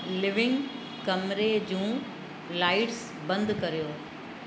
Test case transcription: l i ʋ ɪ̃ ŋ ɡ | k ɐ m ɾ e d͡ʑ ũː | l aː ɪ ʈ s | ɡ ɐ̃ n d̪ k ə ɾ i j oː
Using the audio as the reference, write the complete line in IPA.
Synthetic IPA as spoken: l ɪ ʋ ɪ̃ ŋ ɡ | k ɐ m ɾ e d͡ʑ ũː | l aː ɪ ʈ s | b ɐ̃ n d̪ k ɐ ɾ i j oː

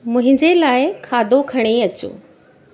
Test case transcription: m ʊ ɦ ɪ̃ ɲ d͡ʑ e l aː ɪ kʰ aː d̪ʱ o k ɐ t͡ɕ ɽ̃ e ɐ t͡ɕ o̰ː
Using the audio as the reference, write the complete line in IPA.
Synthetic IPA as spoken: m ʊ̃ ɦ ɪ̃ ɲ d͡ʑ e l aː ɪ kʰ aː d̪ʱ o kʰ ɐ ɽ̃ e ɐ t͡ɕ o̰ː

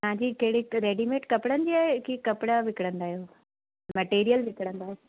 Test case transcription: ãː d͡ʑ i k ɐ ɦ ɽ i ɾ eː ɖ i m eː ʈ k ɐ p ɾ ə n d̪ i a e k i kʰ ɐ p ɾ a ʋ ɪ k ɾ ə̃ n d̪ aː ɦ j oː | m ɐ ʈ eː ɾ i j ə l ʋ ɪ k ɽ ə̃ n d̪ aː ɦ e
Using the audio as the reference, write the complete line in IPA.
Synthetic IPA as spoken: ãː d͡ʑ i k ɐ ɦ ɽ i ɾ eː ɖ i m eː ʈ k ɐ p ɽ ə n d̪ i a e k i k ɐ p ɽ a ʋ ɪ k ɽ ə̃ n d̪ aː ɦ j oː | m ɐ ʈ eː ɾ i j ə l ʋ ɪ k ɽ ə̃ n d̪ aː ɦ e

